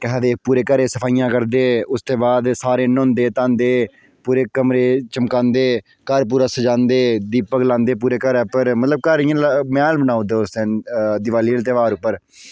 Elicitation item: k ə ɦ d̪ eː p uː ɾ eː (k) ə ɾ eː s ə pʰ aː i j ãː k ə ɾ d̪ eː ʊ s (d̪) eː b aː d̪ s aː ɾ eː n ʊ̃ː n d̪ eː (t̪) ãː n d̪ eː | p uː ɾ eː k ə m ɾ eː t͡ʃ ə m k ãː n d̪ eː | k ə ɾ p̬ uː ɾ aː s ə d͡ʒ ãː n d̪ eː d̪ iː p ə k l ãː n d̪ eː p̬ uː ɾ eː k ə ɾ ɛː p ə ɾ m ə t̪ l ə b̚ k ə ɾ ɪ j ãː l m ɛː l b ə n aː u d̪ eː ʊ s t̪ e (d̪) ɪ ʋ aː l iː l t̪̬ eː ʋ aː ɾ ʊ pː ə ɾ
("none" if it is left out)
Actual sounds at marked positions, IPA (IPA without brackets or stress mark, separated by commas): k, t̪, t̪, d̪